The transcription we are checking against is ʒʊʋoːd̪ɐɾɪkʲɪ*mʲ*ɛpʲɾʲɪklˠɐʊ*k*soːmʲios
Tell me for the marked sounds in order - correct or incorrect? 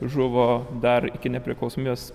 incorrect: nʲ, incorrect: none

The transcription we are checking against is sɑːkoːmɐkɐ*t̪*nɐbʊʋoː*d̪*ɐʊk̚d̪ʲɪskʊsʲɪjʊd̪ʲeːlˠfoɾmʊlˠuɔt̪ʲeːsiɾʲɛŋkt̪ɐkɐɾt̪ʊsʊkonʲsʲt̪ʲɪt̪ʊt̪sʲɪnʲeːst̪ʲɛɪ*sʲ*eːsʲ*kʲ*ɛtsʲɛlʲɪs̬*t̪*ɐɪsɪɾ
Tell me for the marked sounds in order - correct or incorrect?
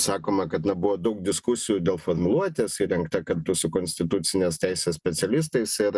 correct, correct, correct, incorrect: pʲ, correct

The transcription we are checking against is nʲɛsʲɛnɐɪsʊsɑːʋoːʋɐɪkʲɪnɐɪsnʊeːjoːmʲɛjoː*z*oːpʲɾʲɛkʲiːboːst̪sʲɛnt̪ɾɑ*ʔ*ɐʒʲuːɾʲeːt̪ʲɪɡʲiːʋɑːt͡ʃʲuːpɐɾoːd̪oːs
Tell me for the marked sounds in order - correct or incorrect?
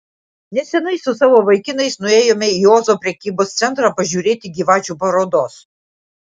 correct, incorrect: p

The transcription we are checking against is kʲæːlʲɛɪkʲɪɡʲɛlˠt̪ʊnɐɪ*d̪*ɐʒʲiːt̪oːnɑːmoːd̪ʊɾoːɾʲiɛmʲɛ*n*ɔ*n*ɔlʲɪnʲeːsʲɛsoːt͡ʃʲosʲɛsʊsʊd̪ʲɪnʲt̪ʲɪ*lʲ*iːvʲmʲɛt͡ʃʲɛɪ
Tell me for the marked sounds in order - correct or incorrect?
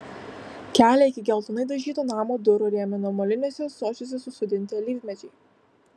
correct, correct, incorrect: m, correct

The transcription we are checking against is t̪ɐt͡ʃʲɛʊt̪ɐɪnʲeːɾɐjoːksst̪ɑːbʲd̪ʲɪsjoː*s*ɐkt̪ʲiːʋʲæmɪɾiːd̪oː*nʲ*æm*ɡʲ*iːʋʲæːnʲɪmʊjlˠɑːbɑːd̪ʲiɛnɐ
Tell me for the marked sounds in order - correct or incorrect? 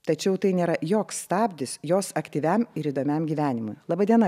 correct, incorrect: mʲ, correct

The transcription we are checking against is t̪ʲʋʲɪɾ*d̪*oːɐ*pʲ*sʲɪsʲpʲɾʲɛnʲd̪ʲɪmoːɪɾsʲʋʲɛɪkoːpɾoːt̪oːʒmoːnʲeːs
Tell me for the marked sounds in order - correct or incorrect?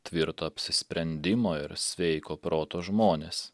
incorrect: t̪, correct

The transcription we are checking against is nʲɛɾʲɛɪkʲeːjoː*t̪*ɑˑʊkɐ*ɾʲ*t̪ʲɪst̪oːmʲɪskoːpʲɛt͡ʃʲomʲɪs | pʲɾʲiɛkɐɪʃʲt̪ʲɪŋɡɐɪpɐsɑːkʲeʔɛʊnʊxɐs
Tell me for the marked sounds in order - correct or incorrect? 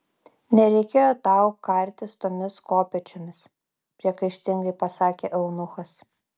correct, correct

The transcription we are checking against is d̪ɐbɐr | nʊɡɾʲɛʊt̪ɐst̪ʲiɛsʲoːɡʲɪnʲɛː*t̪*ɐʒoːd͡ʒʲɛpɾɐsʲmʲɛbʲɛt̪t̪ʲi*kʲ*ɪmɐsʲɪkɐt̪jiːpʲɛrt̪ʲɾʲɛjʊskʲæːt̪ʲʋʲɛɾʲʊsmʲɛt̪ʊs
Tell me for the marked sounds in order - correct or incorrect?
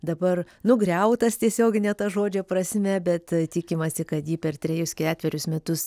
correct, correct

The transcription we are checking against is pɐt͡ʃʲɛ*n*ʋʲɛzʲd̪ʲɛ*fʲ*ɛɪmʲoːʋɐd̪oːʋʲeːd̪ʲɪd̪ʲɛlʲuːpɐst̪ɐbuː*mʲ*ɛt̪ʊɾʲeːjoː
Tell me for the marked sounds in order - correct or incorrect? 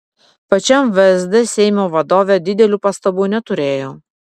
incorrect: m, incorrect: sʲ, incorrect: nʲ

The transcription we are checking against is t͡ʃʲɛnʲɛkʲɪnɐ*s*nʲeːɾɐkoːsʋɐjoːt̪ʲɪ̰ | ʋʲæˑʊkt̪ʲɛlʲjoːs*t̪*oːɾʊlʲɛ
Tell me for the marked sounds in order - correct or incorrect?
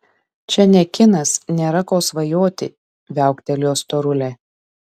correct, correct

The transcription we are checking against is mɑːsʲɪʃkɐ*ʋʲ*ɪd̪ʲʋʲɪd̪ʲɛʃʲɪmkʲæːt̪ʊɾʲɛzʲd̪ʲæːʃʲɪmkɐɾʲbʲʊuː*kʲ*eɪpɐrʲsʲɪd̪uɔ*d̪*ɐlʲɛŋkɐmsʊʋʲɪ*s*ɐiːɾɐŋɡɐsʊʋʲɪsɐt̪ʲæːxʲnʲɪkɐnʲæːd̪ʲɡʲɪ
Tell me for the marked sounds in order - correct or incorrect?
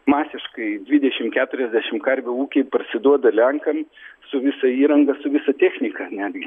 incorrect: none, correct, correct, correct

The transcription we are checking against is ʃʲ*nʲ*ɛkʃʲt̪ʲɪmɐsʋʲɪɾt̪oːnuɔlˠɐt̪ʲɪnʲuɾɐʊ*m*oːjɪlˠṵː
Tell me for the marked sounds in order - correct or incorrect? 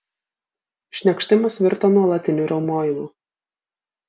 correct, correct

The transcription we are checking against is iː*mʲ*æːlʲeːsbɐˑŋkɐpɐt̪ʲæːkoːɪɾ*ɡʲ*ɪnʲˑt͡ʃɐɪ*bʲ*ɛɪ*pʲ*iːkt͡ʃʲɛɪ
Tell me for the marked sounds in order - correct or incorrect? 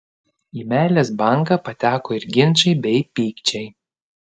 correct, correct, correct, correct

